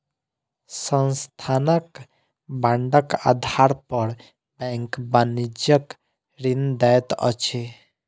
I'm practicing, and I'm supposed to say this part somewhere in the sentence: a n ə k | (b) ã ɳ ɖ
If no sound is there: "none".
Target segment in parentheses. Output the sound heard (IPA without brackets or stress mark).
b